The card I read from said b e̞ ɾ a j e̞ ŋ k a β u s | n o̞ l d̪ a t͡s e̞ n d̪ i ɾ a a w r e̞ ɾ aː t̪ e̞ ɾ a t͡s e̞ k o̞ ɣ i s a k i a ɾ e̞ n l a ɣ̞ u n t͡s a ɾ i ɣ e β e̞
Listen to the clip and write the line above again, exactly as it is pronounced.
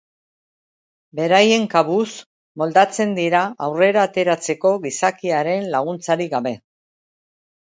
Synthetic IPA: b e̞ ɾ a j e̞ ŋ k a β u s | m o̞ l d̪ a t͡s e̞ n d̪ i ɾ a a w r e̞ ɾ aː t̪ e̞ ɾ a t͡s e̞ k o̞ ɣ i s a k i a ɾ e̞ n l a ɣ̞ u n t͡s a ɾ i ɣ a β e̞